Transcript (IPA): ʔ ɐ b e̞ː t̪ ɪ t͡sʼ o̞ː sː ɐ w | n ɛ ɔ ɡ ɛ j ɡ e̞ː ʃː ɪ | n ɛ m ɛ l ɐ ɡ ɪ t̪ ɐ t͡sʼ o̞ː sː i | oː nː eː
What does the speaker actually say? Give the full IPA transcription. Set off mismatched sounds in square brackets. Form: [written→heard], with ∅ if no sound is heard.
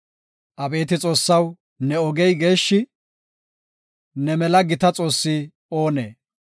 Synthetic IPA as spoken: ʔ ɐ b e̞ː t̪ ɪ t͡sʼ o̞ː sː ɐ w | n ɛ ɔ ɡ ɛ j ɡ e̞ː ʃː ɪ | n ɛ m ɛ l ɐ ɡ ɪ t̪ ɐ t͡sʼ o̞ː sː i | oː [nː→n] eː

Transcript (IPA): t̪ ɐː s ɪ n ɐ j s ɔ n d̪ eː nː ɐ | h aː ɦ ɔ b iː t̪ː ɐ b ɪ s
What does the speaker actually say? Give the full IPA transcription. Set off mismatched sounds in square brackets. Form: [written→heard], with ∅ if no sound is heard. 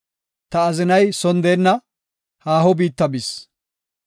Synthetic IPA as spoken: t̪ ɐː [s→z] ɪ n ɐ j s ɔ n d̪ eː nː ɐ | h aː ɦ ɔ b iː t̪ː ɐ b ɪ s

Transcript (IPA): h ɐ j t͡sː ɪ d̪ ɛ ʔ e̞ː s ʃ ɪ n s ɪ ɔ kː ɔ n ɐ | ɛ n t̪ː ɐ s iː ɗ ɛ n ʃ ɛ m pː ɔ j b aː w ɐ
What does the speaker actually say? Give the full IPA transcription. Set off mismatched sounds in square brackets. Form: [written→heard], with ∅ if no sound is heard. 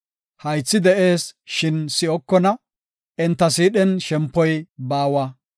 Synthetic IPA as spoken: h ɐ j t͡sː ɪ d̪ ɛ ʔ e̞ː s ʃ ɪ n s ɪ ɔ kː ɔ n ɐ | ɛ n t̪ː ɐ s iː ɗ ɛ n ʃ ɛ m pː ɔ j b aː w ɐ

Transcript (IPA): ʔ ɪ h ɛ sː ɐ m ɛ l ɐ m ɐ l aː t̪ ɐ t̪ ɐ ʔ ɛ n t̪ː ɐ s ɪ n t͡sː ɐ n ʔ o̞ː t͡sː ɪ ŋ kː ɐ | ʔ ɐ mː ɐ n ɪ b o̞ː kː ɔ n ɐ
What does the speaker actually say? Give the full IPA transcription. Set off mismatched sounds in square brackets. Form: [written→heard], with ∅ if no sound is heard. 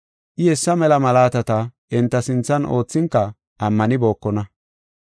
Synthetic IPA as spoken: ʔ ɪ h ɛ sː ɐ m ɛ l ɐ m ɐ l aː t̪ ɐ t̪ ɐ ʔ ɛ n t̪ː ɐ s ɪ n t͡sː ɐ n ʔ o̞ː t͡sː ɪ ŋ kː ɐ | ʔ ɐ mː ɐ n ɪ b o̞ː kː ɔ n ɐ

